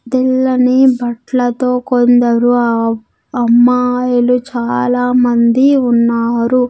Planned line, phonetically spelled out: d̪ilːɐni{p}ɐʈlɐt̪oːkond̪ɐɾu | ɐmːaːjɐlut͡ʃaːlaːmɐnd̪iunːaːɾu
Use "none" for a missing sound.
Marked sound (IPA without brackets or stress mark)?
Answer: b